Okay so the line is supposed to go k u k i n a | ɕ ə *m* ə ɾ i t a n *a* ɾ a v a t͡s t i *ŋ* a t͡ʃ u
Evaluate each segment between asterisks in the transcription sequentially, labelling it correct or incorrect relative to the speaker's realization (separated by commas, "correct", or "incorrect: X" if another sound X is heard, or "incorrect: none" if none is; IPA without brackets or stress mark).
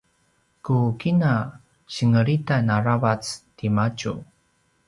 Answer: incorrect: ŋ, correct, incorrect: m